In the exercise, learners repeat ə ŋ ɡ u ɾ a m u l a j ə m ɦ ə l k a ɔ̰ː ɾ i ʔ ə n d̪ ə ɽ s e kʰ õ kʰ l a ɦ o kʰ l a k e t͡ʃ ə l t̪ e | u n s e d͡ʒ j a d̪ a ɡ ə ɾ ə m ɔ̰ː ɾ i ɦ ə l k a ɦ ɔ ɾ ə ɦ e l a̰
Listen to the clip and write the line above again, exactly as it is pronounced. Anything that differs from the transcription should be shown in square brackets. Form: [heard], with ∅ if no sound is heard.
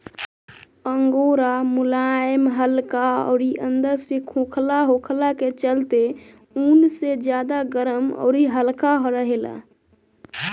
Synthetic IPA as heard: ə ŋ ɡ [o] ɾ a m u l a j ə m ɦ ə l k a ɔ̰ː ɾ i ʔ ə n d̪ ə [ɾ] s e kʰ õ kʰ l a ɦ o kʰ l a k e t͡ʃ ə l t̪ e | u n s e d͡ʒ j a d̪ a ɡ ə ɾ ə m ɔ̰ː ɾ i ɦ ə l k a ɦ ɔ ɾ ə ɦ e l a̰

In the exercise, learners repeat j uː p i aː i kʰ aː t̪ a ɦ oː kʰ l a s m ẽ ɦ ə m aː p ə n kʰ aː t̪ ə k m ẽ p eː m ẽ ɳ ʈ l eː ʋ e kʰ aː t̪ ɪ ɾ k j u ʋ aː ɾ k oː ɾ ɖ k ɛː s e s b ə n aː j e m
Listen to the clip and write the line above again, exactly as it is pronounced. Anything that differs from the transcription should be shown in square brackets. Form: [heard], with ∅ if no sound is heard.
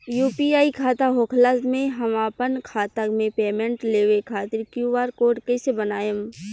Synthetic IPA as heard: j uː p i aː i kʰ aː t̪ a ɦ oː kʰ l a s m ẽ ɦ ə m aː p ə n kʰ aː t̪ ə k m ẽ p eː m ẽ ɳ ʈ l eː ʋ e kʰ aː t̪ ɪ ɾ k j u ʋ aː ɾ k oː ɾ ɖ k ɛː s e [∅] b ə n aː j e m

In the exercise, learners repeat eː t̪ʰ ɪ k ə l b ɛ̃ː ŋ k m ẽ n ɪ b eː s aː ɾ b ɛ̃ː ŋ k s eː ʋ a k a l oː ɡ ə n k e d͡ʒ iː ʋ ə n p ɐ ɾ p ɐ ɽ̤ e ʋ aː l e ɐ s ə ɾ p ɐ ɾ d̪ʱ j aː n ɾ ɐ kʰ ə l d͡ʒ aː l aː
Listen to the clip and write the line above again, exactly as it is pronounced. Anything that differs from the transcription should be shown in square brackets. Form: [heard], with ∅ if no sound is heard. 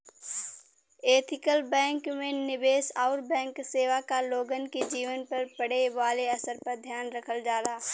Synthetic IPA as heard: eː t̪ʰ ɪ k ə l b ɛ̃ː ŋ k m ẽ n ɪ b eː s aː ɾ b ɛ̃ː ŋ k s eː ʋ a k a l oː ɡ ə n k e d͡ʒ iː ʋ ə n p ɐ ɾ p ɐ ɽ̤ e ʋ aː l e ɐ s ə ɾ p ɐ ɾ d̪ʱ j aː n ɾ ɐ kʰ ə l d͡ʒ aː l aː

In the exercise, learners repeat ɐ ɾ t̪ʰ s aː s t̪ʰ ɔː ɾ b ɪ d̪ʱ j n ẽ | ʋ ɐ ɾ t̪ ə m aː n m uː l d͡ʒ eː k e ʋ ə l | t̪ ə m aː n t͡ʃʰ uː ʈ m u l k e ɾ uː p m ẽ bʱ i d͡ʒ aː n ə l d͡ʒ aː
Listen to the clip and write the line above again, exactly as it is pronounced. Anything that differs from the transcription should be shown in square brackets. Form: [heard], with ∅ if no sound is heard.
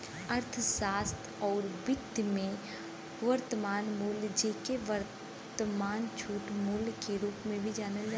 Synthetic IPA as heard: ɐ ɾ t̪ʰ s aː s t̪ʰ ɔː ɾ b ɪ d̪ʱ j [m] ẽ | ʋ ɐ ɾ t̪ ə m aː n m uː l d͡ʒ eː k e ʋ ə [ɾ] | t̪ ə m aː n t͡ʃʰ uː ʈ m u l k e ɾ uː p m ẽ bʱ i d͡ʒ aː n ə l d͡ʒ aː

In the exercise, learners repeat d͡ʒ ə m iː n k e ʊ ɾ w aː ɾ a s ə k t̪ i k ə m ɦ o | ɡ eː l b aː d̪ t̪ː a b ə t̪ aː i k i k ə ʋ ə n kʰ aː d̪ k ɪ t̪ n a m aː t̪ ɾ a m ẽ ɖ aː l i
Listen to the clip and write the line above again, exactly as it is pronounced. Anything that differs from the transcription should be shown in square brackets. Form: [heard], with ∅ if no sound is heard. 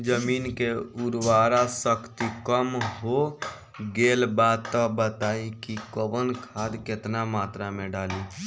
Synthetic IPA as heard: d͡ʒ ə m iː n k e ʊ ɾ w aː ɾ a s ə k t̪ i k ə m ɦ o | ɡ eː l b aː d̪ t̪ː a b ə t̪ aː i k i k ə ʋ ə n kʰ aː d̪ k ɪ t̪ n a m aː t̪ ɾ a m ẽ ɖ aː l i

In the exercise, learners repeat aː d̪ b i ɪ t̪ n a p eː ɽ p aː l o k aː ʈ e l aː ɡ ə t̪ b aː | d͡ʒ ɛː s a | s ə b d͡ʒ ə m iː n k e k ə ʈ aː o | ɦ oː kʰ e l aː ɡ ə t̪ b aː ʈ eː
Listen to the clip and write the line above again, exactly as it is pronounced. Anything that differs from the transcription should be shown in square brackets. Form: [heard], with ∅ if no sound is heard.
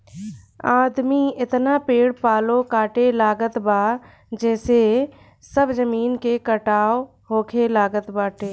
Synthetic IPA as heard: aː d̪ [m] i ɪ t̪ n a p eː ɽ p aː l o k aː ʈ e l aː ɡ ə t̪ b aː | d͡ʒ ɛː s [e] | s ə b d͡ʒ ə m iː n k e k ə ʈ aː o | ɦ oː kʰ e l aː ɡ ə t̪ b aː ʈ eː

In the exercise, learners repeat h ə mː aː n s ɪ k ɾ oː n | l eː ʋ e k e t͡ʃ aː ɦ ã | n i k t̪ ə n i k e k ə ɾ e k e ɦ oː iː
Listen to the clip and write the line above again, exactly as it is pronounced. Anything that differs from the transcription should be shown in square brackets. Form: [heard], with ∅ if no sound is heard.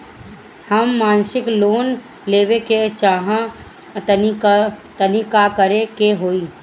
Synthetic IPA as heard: h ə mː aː n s ɪ k [l] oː n | l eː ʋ e k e t͡ʃ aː ɦ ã | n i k t̪ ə n i k [a] k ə ɾ e k e ɦ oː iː

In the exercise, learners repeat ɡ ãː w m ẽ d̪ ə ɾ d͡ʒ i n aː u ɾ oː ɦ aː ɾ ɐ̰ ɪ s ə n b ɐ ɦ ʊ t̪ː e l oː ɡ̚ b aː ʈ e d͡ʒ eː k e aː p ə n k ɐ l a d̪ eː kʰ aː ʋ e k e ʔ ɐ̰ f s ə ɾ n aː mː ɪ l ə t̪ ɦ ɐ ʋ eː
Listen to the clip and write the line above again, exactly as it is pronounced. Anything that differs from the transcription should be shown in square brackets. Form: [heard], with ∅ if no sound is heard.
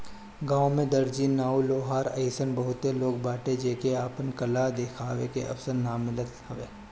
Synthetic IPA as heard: ɡ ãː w m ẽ d̪ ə ɾ d͡ʒ i n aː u [l] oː ɦ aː ɾ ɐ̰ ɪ s ə n b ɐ ɦ ʊ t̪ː e l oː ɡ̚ b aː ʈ e d͡ʒ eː k e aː p ə n k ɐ l a d̪ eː kʰ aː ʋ e k e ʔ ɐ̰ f s ə ɾ n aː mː ɪ l ə t̪ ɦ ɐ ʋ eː

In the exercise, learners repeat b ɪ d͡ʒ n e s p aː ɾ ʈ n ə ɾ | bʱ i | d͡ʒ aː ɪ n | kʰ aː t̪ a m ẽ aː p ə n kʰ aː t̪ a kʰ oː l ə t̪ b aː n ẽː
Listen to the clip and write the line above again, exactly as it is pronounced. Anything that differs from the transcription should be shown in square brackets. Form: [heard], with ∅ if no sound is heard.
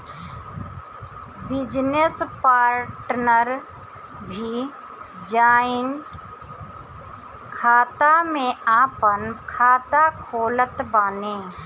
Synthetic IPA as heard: b ɪ d͡ʒ n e s p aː ɾ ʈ n ə ɾ | bʱ i | d͡ʒ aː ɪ n | kʰ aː t̪ a m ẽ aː p ə n kʰ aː t̪ a kʰ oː l ə t̪ b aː n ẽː

